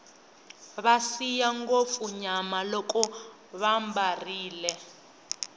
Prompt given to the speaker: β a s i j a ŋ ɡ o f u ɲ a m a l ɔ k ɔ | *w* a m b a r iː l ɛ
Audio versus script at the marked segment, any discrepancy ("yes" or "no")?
yes